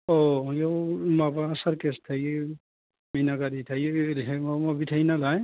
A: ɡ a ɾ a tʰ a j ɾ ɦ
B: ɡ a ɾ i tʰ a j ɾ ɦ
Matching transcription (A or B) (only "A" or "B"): B